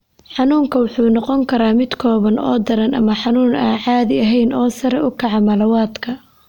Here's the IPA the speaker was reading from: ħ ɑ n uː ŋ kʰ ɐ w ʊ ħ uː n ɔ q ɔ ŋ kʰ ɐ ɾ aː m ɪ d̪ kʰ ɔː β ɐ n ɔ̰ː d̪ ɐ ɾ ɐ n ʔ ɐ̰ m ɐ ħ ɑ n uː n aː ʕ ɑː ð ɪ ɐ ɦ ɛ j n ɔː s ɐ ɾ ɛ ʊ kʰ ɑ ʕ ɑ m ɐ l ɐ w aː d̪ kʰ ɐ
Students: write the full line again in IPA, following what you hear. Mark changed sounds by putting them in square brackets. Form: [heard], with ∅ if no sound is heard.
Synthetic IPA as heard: ħ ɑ n uː ŋ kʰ ɐ w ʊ ħ uː n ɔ q ɔ ŋ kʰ ɐ ɾ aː m ɪ d̪ kʰ ɔː β ɐ n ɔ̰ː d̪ ɐ ɾ ɐ n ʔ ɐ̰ m ɐ ħ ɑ n uː n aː ʕ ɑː ð ɪ ɐ ɦ ɛ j n ɔː s ɐ ɾ ɛ ʊ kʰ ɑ ʕ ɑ m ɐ l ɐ w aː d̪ kʰ ɐ